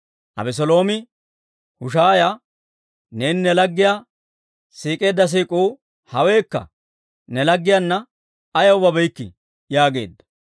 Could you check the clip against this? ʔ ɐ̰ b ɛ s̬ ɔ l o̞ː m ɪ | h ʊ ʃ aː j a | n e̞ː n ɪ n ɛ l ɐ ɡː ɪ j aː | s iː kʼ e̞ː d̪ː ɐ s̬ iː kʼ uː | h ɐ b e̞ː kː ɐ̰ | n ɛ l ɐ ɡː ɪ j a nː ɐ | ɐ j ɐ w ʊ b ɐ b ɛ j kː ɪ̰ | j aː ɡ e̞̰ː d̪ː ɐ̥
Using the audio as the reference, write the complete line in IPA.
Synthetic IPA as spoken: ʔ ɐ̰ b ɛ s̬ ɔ l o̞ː m ɪ | h ʊ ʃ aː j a | n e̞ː n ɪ n ɛ l ɐ ɡː ɪ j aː | s iː kʼ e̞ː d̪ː ɐ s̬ iː kʼ uː | h ɐ w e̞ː kː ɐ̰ | n ɛ l ɐ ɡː ɪ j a nː ɐ | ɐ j ɐ w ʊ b ɐ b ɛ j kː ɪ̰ | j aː ɡ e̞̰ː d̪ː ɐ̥